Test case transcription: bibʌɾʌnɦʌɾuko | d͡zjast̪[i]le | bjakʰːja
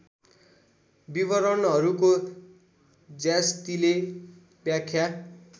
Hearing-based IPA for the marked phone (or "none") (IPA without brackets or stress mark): i